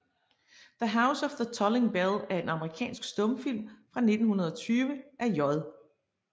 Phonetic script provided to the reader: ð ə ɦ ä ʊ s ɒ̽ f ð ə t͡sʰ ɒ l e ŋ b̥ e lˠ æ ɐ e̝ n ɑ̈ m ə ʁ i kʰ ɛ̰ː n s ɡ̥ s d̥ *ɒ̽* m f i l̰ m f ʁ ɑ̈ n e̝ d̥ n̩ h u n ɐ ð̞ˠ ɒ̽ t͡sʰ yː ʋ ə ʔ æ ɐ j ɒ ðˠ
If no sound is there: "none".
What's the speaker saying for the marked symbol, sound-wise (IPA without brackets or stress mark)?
ɔ̽